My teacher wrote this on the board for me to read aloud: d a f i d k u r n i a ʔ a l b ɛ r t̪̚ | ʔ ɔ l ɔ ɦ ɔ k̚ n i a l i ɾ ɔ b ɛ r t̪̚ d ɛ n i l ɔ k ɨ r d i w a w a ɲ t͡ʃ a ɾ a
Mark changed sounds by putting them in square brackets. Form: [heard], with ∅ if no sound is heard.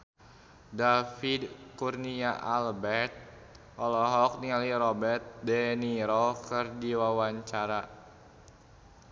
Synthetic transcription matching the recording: d a f i d k u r n i a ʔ a l b ɛ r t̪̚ | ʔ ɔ l ɔ ɦ ɔ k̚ n i a l i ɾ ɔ b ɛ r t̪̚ d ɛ n i [ɾ] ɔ k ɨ r d i w a w a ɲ t͡ʃ a ɾ a